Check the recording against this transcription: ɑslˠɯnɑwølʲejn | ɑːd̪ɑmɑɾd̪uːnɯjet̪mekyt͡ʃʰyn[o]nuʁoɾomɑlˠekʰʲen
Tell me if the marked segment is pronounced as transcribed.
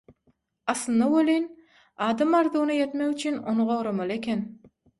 yes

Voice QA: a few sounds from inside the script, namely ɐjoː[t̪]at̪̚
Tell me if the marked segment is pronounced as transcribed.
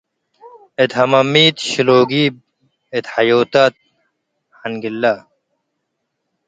yes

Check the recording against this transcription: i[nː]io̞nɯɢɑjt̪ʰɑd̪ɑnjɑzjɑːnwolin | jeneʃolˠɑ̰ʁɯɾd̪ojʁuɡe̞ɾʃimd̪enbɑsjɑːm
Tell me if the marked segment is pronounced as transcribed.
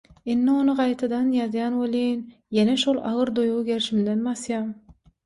yes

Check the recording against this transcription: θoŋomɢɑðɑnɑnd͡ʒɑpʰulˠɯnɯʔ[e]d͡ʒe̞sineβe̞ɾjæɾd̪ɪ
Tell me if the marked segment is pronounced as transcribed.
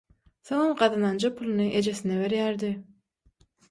yes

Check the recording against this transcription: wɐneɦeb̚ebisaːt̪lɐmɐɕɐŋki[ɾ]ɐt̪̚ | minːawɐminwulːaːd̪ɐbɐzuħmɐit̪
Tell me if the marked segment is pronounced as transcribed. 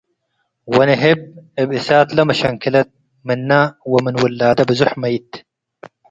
no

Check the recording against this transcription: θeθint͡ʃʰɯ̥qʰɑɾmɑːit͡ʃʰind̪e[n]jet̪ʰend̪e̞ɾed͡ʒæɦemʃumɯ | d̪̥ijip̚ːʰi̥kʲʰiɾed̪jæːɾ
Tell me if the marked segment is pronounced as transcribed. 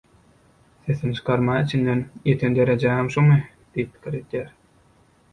yes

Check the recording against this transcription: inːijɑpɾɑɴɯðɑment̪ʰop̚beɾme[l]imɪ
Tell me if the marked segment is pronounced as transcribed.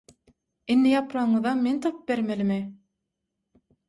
yes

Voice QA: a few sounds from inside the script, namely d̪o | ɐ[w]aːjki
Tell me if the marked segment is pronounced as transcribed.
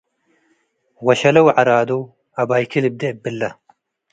no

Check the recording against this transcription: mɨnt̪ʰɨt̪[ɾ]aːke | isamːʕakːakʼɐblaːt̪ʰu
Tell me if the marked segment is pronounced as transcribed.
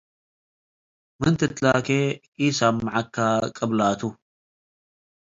no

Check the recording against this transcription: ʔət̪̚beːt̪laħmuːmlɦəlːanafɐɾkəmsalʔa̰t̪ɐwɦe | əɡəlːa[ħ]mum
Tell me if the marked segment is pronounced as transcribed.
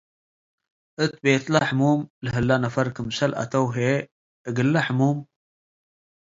yes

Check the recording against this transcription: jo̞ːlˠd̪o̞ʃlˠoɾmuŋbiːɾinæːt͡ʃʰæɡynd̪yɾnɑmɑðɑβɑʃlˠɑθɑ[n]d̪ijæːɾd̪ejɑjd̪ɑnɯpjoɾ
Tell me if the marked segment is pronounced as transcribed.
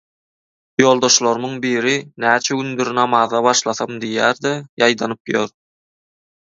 no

